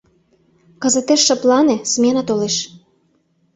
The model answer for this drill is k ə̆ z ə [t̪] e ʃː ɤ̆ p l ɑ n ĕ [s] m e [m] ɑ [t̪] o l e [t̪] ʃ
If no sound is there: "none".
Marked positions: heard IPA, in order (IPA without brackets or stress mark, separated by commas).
t̪, s, n, t̪, none